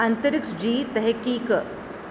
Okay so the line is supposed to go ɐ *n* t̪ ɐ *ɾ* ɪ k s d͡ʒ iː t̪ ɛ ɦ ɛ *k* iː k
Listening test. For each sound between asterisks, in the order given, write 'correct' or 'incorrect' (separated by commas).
correct, correct, correct